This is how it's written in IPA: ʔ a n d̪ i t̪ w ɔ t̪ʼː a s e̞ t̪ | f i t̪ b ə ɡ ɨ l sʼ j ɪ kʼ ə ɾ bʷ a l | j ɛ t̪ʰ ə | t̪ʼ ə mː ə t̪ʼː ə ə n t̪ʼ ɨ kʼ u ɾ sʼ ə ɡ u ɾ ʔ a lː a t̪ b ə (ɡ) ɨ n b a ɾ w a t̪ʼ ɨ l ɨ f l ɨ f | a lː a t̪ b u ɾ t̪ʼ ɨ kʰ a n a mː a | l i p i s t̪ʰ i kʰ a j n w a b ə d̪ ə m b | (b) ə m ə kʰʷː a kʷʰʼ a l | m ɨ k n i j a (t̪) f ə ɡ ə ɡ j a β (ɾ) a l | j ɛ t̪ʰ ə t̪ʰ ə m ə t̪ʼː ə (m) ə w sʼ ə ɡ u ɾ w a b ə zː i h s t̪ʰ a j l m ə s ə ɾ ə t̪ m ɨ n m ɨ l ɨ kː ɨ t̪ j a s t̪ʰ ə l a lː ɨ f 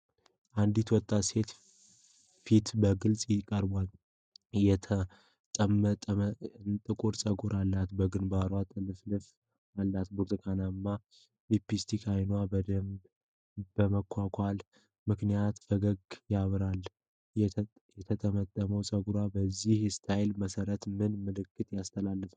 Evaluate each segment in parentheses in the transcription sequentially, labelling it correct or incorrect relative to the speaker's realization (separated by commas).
correct, correct, correct, correct, correct